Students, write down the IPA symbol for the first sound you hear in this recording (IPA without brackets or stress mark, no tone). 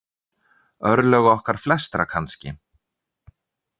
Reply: œ